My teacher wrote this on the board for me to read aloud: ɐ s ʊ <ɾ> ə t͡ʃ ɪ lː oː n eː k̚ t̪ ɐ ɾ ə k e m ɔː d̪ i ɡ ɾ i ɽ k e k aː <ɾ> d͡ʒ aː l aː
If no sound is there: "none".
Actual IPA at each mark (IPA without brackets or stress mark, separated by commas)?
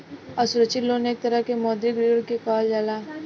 ɾ, l